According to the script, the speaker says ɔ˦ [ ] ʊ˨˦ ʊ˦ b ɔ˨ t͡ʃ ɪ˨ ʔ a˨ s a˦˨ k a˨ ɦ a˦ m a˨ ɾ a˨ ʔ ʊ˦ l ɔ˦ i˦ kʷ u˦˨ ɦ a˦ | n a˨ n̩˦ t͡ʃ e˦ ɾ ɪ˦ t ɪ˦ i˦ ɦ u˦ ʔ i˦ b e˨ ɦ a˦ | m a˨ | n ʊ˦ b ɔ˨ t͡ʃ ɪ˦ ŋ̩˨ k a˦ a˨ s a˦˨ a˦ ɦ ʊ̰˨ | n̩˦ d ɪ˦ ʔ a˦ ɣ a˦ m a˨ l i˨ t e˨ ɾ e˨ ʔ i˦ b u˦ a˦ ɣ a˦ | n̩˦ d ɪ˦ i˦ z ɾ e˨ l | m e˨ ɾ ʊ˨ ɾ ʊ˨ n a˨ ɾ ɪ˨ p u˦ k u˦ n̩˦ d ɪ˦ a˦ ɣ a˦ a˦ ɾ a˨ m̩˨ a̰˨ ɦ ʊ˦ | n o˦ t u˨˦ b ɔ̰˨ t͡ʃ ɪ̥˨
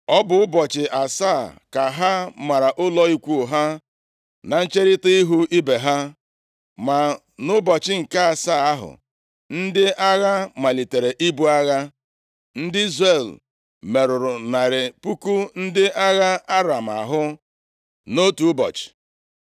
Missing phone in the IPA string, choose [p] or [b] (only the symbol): b